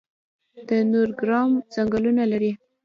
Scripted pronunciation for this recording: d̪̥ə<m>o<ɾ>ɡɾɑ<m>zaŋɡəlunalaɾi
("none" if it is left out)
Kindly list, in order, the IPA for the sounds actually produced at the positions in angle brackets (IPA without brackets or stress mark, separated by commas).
n, ɾ, m